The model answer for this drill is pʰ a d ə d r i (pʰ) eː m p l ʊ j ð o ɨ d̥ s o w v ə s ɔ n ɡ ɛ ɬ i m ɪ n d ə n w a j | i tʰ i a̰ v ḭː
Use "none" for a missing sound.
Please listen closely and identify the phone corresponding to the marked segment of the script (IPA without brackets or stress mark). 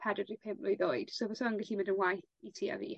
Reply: pʰ